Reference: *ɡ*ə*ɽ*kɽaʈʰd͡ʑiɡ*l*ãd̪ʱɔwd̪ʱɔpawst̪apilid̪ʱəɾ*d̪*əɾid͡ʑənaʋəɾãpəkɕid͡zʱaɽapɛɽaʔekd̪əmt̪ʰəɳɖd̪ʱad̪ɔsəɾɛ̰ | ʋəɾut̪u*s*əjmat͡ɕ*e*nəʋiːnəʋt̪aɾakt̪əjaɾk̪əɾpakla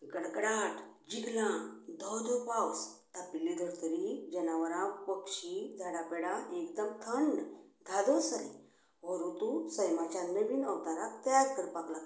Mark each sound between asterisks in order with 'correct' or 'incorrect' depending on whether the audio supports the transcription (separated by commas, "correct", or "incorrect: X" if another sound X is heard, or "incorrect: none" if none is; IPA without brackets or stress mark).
correct, correct, correct, incorrect: t̪, correct, incorrect: a